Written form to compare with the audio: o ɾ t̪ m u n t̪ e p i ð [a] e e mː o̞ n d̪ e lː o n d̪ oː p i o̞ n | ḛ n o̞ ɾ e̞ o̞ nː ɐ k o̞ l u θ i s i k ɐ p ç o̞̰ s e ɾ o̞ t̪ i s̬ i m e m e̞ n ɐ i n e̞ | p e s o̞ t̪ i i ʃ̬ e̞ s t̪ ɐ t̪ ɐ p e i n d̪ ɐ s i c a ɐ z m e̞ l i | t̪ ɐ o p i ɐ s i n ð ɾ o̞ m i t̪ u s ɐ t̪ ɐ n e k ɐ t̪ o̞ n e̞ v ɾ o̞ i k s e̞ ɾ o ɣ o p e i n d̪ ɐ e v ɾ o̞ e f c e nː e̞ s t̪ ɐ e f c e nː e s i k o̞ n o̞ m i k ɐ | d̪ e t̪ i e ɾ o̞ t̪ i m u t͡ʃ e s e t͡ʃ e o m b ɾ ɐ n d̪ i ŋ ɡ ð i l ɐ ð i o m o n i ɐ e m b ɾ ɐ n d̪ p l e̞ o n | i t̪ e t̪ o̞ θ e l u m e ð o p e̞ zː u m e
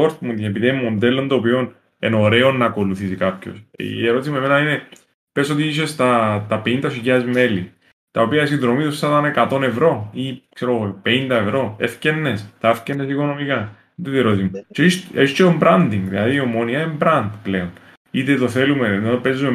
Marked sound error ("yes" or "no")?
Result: yes